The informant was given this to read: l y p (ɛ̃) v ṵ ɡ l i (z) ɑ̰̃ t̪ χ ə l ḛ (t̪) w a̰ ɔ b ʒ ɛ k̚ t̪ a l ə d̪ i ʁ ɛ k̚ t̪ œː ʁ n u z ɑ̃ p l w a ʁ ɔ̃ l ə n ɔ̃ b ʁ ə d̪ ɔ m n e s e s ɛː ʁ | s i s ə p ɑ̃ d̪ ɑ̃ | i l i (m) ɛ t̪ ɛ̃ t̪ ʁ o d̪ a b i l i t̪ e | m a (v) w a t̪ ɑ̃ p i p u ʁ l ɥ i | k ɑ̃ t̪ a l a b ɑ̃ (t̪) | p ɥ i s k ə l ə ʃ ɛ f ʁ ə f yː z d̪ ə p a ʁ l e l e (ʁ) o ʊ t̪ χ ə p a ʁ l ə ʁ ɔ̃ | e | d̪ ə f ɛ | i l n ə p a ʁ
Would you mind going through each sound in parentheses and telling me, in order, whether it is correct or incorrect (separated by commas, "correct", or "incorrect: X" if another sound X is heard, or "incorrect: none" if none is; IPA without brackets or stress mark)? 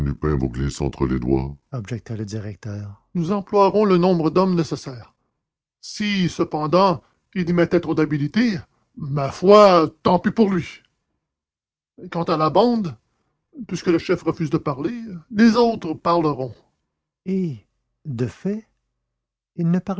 correct, incorrect: s, incorrect: d̪, correct, incorrect: f, incorrect: d̪, incorrect: z